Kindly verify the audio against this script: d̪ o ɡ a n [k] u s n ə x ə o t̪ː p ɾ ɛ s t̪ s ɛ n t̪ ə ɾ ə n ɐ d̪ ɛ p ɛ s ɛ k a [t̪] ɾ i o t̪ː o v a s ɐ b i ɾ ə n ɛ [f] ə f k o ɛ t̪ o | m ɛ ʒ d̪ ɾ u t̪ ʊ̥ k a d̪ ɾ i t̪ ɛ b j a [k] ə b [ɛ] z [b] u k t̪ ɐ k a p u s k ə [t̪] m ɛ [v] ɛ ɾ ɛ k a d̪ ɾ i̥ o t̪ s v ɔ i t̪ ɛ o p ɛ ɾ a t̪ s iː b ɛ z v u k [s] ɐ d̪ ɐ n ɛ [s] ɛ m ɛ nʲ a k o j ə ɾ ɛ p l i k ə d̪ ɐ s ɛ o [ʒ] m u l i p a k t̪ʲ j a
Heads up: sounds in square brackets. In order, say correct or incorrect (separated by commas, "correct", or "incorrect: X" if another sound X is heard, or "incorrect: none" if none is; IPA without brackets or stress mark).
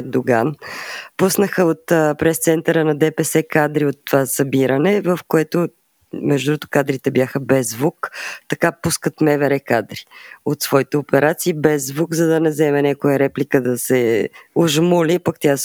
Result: incorrect: p, incorrect: d̪, incorrect: v, incorrect: x, correct, incorrect: v, correct, correct, incorrect: z, incorrect: z, correct